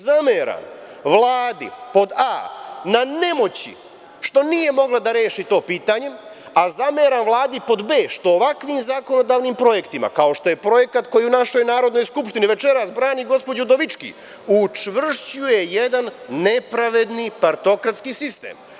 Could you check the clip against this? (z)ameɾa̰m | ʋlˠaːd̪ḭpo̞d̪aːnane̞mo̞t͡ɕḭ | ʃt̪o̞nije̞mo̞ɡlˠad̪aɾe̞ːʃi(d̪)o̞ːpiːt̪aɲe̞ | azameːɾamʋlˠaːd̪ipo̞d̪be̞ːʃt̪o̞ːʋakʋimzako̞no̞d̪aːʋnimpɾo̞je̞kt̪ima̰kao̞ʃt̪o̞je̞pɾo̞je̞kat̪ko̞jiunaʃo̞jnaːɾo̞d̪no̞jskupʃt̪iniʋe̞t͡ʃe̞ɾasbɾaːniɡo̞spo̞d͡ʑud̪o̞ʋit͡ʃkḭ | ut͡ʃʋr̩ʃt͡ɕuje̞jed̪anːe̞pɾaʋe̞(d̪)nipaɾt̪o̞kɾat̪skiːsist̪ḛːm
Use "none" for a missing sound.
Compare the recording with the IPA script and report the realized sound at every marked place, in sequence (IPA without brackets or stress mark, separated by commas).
z, t̪, d̪